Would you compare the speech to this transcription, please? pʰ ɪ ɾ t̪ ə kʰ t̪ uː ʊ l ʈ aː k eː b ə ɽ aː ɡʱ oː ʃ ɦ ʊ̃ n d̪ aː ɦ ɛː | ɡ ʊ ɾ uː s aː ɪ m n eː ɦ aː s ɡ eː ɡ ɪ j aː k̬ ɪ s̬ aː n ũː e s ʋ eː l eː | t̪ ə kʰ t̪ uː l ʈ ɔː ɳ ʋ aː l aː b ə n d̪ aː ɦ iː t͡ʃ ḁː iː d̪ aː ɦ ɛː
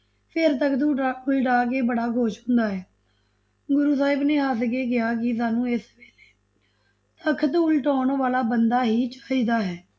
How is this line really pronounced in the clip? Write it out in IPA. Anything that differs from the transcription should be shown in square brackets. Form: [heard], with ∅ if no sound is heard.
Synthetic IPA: pʰ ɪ ɾ t̪ ə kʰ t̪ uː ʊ l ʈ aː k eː b ə ɽ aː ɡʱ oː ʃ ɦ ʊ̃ n d̪ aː ɦ ɛː | ɡ ʊ ɾ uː s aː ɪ [b] n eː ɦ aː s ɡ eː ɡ ɪ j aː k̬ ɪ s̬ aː n ũː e s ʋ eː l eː | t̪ ə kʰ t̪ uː l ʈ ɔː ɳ ʋ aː l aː b ə n d̪ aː ɦ iː t͡ʃ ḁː iː d̪ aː ɦ ɛː

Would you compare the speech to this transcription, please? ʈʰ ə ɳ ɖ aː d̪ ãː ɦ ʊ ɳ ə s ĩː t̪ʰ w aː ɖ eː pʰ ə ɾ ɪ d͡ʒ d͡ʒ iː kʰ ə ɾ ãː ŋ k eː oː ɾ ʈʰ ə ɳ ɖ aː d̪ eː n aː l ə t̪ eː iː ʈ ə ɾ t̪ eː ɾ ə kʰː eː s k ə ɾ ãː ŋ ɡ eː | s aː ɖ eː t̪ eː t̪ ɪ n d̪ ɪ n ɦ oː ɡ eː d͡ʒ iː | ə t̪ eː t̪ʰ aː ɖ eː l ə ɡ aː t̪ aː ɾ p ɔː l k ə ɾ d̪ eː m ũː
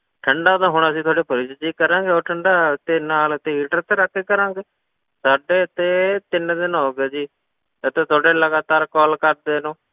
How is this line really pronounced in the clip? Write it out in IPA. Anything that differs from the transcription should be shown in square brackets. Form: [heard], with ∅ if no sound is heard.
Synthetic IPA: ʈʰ ə ɳ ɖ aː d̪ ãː ɦ ʊ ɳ ə s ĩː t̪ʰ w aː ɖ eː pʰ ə ɾ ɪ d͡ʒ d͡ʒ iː [k] ə ɾ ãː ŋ [ɡ] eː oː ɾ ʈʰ ə ɳ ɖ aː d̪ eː n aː l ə t̪ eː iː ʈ ə ɾ t̪ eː ɾ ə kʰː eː [∅] k ə ɾ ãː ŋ ɡ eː | s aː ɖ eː t̪ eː t̪ ɪ n d̪ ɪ n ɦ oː ɡ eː d͡ʒ iː | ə t̪ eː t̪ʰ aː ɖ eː l ə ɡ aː t̪ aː ɾ [k] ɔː l k ə ɾ d̪ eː [n] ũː

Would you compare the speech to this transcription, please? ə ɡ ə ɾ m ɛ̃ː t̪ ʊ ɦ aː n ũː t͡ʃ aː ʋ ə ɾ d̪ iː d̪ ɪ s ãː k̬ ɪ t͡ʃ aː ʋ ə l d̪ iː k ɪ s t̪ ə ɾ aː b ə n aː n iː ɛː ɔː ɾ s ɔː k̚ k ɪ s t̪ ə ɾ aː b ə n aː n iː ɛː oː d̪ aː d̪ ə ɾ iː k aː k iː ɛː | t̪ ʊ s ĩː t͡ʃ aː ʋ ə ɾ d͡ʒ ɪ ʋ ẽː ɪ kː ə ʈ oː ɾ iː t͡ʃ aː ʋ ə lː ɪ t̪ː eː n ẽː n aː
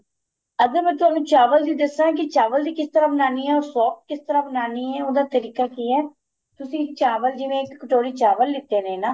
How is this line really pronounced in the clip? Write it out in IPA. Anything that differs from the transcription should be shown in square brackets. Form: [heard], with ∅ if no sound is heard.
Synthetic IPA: ə ɡ ə ɾ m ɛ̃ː t̪ ʊ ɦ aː n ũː t͡ʃ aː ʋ ə [l] d̪ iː d̪ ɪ s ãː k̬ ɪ t͡ʃ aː ʋ ə l d̪ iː k ɪ s t̪ ə ɾ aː b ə n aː n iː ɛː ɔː ɾ s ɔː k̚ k ɪ s t̪ ə ɾ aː b ə n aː n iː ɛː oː d̪ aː [t̪] ə ɾ iː k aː k iː ɛː | t̪ ʊ s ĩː t͡ʃ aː ʋ ə [l] d͡ʒ ɪ ʋ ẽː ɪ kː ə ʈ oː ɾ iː t͡ʃ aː ʋ ə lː ɪ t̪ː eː n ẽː n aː

